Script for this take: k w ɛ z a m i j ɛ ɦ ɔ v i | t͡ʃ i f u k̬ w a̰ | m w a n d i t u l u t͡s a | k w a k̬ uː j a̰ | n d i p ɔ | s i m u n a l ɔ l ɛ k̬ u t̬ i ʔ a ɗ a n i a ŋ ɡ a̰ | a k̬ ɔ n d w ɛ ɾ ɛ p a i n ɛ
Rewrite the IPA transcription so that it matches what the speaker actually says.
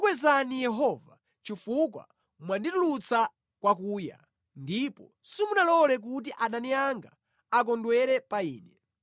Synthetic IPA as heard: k w ɛ z a n i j ɛ ɦ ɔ v a | t͡ʃ i f u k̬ w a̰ | m w a n d i t u l u t͡s a | k w a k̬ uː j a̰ | n d i p ɔ | s i m u n a l ɔ l ɛ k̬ u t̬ i ʔ a ɗ a n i a ŋ ɡ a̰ | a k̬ ɔ n d w ɛ ɾ ɛ p a iː n ɛ